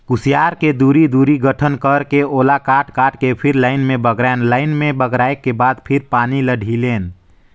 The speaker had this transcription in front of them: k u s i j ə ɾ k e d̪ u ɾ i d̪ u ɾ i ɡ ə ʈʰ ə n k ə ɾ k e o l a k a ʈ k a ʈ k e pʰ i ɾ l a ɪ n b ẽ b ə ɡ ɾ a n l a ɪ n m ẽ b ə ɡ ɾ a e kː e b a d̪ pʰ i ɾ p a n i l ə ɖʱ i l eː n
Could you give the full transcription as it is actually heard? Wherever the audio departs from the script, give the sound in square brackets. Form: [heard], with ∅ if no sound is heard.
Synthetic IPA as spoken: k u s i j [a] ɾ k e d̪ u ɾ i d̪ u ɾ i ɡ ə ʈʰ ə n k ə ɾ k e o l a k a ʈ k a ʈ k e pʰ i ɾ l a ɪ n [m] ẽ b ə ɡ ɾ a n l a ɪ n m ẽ b ə ɡ ɾ a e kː e b a d̪ pʰ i ɾ p a n i l ə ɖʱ i l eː n